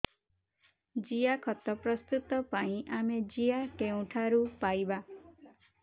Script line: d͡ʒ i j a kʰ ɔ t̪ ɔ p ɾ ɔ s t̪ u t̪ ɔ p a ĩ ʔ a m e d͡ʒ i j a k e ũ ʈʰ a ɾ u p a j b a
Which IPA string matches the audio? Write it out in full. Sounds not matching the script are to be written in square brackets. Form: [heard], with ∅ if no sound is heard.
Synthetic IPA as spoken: d͡ʒ i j a kʰ ɔ t̪ ɔ p ɾ ɔ s t̪ u t̪ ɔ p a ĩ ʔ a m e d͡ʒ i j a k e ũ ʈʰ a ɾ u p a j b a